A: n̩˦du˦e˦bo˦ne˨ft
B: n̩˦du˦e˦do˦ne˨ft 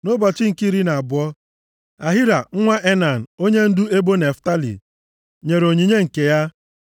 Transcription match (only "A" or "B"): A